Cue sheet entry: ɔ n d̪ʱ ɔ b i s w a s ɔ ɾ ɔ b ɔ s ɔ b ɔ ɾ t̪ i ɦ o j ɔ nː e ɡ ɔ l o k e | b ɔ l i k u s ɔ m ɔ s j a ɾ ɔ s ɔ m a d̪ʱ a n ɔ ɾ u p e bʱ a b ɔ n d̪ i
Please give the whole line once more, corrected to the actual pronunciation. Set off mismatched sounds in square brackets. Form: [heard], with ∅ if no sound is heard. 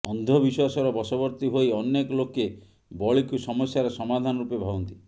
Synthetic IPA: ɔ n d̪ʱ ɔ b i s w a s ɔ ɾ ɔ b ɔ s ɔ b ɔ ɾ t̪ i ɦ o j ɔ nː e [k] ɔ l o k e | b ɔ [ɭ] i k u s ɔ m ɔ s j a ɾ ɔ s ɔ m a d̪ʱ a n ɔ ɾ u p e bʱ a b ɔ n [t̪] i